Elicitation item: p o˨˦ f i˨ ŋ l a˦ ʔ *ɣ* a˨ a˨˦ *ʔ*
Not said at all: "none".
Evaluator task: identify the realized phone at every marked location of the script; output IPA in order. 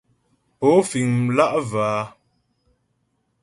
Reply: v, none

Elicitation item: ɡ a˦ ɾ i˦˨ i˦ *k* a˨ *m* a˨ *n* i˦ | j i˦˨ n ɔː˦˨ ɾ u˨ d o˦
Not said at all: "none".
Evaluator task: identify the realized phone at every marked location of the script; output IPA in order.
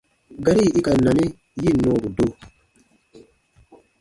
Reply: k, n, n

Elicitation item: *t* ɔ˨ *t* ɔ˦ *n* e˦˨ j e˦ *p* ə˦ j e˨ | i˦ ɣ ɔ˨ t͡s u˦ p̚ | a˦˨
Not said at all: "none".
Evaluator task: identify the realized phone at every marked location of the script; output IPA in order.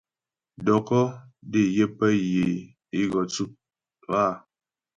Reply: d, k, d, p

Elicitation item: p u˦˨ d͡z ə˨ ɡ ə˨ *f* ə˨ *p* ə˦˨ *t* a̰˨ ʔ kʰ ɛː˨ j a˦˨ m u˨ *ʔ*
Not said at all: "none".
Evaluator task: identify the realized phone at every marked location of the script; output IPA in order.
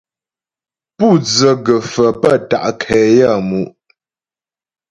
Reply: f, p, t, ʔ

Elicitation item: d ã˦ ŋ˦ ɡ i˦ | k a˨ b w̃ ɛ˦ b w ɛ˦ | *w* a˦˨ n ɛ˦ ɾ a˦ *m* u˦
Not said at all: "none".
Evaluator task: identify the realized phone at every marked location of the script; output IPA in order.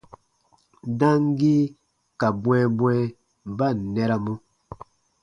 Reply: b, m

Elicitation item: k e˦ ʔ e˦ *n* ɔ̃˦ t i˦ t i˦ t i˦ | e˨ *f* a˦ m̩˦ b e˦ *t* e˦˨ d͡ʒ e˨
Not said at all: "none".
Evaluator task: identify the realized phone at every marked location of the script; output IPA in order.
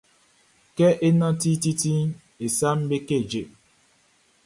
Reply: n, s, k

